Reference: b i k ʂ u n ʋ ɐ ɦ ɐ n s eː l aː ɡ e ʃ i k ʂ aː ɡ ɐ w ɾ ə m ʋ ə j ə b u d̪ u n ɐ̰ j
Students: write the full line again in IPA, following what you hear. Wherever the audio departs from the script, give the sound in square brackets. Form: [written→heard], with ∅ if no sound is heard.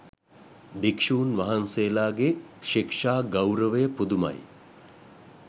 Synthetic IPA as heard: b i k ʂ [u→uː] n ʋ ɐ ɦ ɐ n s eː l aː ɡ e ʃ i k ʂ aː ɡ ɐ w ɾ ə [m→∅] ʋ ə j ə [b→p] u d̪ u [n→m] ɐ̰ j